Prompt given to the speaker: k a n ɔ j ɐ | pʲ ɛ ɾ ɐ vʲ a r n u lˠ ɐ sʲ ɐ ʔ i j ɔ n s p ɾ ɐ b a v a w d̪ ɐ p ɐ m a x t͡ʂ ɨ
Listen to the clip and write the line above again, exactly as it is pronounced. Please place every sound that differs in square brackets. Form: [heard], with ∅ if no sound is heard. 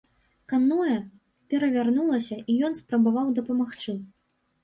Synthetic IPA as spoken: k a n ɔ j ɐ | pʲ ɛ ɾ ɐ vʲ a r n u lˠ ɐ sʲ ɐ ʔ i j ɔ n s p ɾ ɐ b a v a w d̪ ɐ p ɐ m a x t͡ʂ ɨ